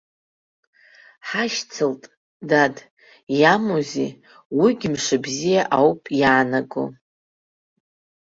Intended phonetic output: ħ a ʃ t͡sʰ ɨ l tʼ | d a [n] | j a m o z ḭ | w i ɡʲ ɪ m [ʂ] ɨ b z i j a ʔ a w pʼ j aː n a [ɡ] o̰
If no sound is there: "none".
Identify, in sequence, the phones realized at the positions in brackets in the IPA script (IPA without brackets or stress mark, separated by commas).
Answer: d, ʂ, ɡ